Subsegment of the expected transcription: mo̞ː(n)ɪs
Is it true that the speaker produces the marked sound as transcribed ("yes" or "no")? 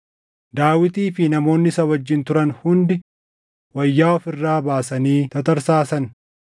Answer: no